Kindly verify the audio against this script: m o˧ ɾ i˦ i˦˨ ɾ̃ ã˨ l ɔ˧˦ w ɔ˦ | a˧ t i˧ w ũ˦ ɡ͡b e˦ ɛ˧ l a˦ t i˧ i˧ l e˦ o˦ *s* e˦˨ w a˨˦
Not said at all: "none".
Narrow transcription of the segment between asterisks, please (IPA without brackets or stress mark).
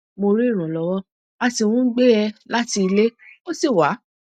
s